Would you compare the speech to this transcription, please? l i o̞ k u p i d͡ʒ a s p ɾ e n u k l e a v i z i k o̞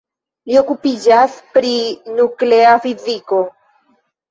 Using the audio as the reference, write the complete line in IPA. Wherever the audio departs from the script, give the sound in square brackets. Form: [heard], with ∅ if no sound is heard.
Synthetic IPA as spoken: l i o̞ k u p i d͡ʒ a s p ɾ [i] n u k l e a [f] i z i k o̞